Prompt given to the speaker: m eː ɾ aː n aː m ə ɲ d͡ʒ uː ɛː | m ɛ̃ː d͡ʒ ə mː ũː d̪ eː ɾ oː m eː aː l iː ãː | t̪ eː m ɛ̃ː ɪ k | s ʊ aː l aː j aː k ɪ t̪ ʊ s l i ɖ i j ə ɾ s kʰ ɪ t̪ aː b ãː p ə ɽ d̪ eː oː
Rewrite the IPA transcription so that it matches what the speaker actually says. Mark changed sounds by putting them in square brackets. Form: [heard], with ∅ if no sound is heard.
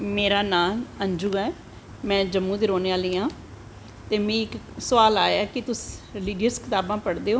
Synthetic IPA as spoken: m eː ɾ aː n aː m ə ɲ d͡ʒ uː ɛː | m ɛ̃ː d͡ʒ ə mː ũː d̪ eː ɾ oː [n] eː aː l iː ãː | t̪ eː m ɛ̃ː ɪ k | s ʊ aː l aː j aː k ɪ t̪ ʊ s l [iː] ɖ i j ə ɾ s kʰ ɪ t̪ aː b ãː p ə ɽ d̪ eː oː